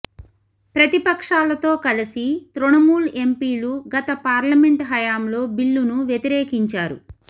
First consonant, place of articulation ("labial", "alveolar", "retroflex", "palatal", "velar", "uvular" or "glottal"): labial